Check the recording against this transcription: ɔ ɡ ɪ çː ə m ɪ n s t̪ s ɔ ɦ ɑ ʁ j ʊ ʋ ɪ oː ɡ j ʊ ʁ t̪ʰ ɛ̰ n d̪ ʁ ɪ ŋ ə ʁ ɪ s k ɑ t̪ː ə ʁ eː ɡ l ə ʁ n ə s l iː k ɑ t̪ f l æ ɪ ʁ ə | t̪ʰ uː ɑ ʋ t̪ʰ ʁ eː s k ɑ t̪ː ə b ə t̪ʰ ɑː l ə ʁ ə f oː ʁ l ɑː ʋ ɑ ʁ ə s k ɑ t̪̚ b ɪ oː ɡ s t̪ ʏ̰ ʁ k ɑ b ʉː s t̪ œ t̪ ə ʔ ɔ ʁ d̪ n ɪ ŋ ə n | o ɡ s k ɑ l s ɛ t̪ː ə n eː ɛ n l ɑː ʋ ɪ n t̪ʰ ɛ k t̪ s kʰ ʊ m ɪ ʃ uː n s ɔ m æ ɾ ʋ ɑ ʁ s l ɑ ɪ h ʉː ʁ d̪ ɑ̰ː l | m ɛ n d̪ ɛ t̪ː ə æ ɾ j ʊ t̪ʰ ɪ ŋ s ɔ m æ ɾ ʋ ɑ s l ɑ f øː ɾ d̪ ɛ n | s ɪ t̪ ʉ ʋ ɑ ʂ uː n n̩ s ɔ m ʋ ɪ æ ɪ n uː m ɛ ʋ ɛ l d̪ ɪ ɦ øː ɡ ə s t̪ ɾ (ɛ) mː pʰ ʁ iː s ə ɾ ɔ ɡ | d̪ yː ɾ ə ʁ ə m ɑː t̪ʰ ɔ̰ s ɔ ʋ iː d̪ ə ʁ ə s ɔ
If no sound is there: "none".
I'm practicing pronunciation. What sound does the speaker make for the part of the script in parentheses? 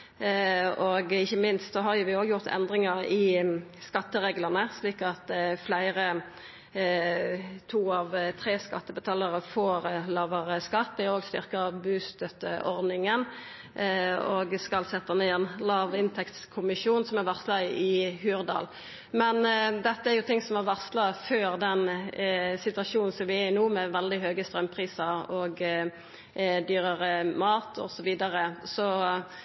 œ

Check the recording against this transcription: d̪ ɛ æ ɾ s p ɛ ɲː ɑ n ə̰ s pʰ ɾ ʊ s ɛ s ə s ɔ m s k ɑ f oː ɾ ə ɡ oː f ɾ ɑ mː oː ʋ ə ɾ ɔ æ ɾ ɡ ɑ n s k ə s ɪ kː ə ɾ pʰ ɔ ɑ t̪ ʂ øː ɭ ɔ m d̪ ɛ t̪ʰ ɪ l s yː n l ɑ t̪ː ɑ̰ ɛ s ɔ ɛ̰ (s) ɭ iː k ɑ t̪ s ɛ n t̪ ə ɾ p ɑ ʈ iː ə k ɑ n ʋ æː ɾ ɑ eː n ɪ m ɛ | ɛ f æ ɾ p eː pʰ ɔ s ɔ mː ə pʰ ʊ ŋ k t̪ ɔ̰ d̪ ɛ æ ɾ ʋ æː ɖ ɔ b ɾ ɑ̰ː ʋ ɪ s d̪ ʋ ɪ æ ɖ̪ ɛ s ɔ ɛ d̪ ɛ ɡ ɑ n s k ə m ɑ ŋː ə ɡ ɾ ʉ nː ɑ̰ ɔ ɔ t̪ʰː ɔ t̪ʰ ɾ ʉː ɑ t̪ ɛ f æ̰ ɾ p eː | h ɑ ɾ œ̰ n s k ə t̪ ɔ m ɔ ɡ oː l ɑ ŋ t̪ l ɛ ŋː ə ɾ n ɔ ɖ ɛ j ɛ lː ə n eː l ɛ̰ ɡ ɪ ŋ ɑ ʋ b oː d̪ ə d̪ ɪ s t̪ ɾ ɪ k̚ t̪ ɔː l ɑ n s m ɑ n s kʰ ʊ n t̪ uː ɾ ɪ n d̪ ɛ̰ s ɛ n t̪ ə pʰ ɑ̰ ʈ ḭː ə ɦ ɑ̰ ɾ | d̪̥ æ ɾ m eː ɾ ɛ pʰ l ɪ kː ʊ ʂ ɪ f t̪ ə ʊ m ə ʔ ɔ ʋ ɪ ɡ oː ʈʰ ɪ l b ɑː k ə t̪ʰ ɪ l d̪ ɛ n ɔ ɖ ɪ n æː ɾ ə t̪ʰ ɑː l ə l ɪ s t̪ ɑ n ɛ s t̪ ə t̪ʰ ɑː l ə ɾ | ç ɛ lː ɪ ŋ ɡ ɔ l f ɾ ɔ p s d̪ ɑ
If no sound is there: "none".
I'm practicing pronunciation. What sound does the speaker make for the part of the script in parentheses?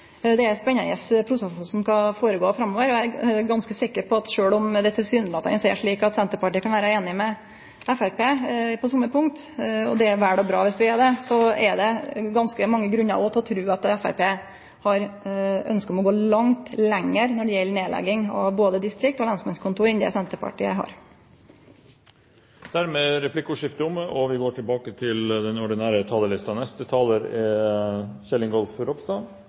ʂ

